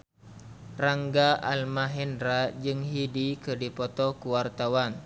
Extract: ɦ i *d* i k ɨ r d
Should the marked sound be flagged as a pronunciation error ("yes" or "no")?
no